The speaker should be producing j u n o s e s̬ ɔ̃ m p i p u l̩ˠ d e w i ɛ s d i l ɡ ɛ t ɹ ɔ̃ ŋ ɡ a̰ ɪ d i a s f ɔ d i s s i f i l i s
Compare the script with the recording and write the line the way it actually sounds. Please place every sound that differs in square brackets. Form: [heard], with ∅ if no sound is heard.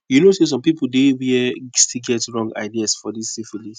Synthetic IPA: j u n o s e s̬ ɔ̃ m p i p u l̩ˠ d e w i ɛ s [t] i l ɡ ɛ t ɹ ɔ̃ ŋ ɡ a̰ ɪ d i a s f ɔ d i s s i f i l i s